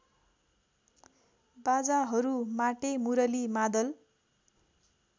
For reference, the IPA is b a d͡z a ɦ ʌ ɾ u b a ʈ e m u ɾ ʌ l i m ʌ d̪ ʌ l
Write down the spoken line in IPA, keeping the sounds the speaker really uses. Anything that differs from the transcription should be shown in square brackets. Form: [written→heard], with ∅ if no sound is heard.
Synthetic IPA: b a d͡z a ɦ ʌ ɾ u [b→m] a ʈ e m u ɾ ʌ l i m [ʌ→a] d̪ ʌ l